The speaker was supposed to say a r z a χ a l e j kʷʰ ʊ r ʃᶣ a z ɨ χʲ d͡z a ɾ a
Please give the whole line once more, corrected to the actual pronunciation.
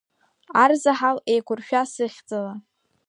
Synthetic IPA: a r z a ħ a l e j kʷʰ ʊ r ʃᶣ a s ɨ χʲ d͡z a l a